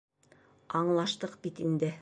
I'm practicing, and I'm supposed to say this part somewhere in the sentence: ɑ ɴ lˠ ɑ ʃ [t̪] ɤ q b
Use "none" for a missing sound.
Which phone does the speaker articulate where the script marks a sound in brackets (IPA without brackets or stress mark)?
t̪